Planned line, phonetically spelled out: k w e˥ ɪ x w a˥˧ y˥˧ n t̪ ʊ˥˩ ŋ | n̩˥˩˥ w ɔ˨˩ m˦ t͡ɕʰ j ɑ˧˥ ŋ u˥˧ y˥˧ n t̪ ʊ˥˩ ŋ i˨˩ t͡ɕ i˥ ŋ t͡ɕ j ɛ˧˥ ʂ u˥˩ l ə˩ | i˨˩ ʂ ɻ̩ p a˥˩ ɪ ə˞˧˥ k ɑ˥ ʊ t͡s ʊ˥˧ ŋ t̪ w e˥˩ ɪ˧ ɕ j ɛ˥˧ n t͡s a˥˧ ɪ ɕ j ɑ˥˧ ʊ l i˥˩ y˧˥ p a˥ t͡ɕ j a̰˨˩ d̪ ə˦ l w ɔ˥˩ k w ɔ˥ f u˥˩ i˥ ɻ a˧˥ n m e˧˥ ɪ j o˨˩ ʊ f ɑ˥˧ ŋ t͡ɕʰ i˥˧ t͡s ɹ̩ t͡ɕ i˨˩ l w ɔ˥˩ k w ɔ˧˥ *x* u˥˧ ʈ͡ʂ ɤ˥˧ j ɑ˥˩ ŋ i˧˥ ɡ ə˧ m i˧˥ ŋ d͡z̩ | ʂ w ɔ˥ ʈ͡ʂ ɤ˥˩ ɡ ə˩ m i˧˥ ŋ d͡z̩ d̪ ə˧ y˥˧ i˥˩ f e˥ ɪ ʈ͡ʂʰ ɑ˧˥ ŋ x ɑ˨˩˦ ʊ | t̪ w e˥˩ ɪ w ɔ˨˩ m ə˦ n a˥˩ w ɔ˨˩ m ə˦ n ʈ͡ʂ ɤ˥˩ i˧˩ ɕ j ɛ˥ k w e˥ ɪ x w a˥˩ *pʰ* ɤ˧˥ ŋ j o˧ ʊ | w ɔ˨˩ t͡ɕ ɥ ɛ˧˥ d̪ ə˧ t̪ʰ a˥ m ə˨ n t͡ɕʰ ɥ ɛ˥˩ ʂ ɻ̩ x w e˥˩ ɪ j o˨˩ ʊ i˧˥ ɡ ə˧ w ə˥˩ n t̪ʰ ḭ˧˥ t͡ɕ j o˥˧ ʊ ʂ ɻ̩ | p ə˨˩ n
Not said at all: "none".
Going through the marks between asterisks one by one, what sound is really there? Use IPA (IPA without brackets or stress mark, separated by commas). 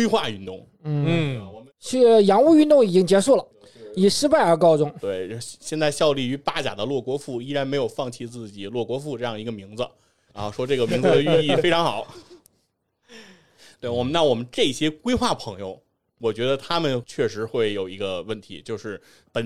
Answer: f, pʰ